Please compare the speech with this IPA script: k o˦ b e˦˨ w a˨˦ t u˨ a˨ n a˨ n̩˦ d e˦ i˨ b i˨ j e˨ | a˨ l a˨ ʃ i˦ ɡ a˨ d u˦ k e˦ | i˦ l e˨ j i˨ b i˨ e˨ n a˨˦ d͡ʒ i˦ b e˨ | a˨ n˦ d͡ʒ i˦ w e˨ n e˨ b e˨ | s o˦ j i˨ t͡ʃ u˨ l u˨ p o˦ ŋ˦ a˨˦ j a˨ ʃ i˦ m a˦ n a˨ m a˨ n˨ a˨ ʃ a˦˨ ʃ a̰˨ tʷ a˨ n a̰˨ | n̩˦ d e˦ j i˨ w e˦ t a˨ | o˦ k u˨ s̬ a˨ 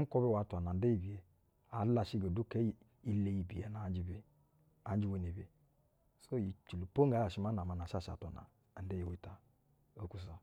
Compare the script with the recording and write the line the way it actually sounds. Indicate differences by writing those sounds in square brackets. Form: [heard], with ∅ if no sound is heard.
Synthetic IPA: k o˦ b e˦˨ w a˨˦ t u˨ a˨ n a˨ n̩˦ d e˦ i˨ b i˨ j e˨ | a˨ l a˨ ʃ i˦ ɡ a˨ d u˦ k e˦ | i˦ l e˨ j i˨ b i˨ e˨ n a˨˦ d͡ʒ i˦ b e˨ | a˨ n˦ d͡ʒ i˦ w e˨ n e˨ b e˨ | s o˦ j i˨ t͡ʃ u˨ l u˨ p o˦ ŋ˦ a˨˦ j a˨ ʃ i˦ m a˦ n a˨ m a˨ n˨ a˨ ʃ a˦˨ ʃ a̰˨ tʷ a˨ n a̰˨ | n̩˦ d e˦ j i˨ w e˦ t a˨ | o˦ k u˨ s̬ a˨